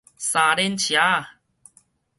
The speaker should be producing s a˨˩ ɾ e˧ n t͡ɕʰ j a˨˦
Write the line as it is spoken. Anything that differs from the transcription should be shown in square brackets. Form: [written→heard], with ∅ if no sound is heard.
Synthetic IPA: s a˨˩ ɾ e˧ n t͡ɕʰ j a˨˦